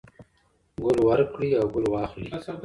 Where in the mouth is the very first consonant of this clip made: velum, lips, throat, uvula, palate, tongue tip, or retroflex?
velum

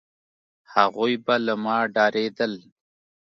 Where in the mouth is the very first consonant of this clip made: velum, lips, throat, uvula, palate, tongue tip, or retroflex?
throat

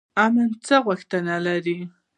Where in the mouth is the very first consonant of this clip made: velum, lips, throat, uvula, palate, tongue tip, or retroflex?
lips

